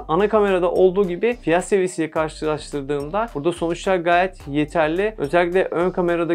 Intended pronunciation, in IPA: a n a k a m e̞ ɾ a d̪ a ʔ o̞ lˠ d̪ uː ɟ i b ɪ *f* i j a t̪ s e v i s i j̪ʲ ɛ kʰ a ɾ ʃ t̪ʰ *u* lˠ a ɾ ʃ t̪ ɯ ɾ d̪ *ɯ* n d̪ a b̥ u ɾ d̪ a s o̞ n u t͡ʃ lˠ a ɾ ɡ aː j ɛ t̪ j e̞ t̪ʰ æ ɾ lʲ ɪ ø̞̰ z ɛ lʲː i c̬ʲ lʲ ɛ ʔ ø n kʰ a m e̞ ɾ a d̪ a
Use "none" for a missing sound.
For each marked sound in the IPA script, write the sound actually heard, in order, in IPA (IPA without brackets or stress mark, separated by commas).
f, ɯ, ɯː